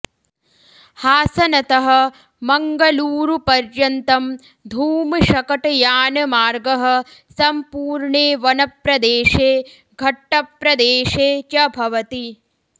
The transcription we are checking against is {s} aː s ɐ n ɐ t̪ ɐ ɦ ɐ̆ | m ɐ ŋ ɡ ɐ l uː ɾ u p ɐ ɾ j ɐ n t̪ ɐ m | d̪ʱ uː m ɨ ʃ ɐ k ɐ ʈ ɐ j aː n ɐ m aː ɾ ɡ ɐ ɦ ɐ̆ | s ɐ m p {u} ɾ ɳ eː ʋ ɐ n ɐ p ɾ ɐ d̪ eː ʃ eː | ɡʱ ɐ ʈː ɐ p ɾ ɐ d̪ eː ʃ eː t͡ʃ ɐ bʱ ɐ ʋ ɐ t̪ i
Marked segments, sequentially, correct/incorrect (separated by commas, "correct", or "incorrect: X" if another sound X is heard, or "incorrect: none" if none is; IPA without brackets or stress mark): incorrect: h, incorrect: uː